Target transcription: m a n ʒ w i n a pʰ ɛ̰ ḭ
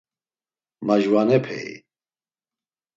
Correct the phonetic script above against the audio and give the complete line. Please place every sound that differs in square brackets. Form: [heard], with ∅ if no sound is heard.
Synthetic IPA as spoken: m a [∅] ʒ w [a] n [ɛ] pʰ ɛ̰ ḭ